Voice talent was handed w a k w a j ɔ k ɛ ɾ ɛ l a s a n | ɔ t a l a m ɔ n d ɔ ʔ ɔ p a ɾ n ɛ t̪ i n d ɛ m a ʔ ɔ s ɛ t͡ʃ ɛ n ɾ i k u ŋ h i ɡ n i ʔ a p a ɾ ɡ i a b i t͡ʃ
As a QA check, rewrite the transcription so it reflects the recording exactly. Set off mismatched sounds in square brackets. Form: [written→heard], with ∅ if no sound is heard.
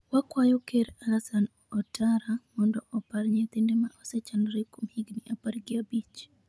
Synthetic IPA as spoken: w a k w a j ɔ k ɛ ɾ [ɛ→a] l a s a n | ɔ t a [l→ɾ] a m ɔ n d ɔ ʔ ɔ p a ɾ [n→ɲ] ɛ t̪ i n d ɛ m a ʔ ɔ s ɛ t͡ʃ [ɛ→a] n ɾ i k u [ŋ→m] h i ɡ n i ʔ a p a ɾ ɡ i a b i t͡ʃ